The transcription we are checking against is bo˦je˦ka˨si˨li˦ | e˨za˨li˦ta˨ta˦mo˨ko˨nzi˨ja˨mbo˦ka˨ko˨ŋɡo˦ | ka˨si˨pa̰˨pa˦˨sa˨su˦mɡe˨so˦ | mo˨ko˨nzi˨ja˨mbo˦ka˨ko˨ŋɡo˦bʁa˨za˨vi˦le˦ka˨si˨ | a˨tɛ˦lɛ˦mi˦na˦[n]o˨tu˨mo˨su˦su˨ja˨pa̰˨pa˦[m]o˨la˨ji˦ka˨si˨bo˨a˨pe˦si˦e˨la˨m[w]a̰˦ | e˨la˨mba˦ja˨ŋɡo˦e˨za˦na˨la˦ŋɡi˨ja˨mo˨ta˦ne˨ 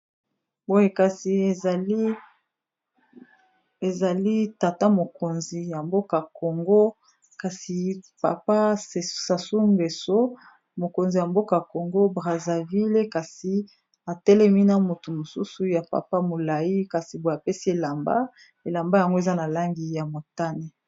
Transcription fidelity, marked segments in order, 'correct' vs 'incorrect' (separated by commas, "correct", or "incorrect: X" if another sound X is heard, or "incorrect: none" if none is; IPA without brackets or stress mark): incorrect: m, correct, incorrect: b